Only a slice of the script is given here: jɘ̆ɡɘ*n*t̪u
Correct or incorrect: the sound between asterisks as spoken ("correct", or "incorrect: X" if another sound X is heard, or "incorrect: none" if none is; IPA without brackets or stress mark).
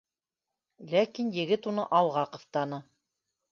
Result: incorrect: none